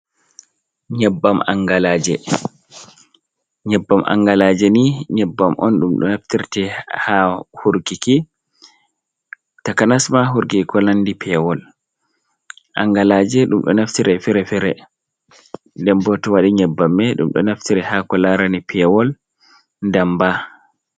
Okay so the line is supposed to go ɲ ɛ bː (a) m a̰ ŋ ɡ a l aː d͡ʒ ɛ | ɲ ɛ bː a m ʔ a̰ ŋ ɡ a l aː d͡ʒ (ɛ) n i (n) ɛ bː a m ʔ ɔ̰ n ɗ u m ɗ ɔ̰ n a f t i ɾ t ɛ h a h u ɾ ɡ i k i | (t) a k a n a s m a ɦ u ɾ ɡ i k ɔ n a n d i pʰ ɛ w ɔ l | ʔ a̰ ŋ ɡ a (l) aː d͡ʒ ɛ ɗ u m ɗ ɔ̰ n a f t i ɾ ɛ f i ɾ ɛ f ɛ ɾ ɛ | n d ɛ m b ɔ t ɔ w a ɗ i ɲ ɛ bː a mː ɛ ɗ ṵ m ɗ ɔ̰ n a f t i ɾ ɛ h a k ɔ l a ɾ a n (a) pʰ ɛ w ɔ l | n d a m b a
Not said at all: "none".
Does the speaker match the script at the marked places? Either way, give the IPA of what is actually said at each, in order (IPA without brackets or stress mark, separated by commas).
a, ɛ, ɲ, t, l, i